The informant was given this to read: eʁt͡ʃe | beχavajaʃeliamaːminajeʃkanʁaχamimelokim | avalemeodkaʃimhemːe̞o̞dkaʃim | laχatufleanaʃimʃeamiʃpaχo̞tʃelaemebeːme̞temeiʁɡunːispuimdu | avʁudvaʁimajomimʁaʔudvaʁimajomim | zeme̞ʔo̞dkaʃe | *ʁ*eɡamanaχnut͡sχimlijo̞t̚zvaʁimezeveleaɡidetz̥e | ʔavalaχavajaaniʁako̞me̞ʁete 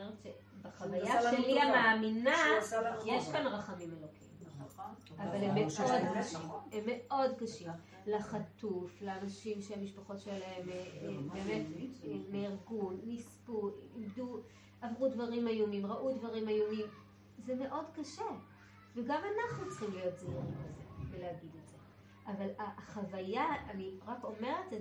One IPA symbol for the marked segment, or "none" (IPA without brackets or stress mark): v